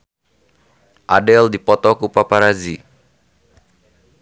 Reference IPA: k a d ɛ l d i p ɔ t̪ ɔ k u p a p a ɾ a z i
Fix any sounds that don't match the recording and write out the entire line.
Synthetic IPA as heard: ʔ a d ɛ l d i p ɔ t̪ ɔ k u p a p a ɾ a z i